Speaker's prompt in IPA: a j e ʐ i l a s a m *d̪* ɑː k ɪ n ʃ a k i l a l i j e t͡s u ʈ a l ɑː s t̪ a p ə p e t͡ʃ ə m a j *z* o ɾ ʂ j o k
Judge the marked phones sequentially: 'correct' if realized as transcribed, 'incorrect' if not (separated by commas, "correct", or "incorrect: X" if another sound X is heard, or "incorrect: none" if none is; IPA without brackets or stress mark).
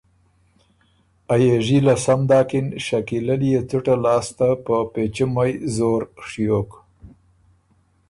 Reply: correct, correct